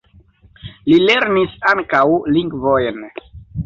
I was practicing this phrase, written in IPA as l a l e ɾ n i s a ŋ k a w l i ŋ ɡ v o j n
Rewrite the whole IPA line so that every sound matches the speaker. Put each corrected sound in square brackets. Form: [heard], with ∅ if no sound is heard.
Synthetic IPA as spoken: l [i] l e ɾ n i s a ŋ k a w l i ŋ ɡ v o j n